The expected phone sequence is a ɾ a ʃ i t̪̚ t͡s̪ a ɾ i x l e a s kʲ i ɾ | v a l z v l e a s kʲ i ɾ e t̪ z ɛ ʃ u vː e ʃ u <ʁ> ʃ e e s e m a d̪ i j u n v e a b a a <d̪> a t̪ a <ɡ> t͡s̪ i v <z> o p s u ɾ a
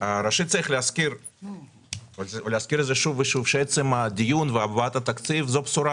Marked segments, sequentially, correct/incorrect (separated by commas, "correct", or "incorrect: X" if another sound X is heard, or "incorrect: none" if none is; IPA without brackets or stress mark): incorrect: v, incorrect: t̪, incorrect: k, correct